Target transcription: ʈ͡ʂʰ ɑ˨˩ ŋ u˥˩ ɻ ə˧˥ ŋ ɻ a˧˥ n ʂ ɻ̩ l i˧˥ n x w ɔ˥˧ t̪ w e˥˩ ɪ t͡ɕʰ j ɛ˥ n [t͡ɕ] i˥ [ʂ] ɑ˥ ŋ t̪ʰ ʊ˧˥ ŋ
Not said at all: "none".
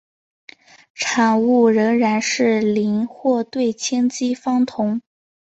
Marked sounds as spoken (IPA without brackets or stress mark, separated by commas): t͡ɕ, f